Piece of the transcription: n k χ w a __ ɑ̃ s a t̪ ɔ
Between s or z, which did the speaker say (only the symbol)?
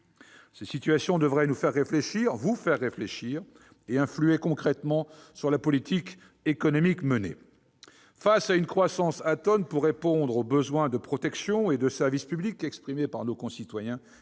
s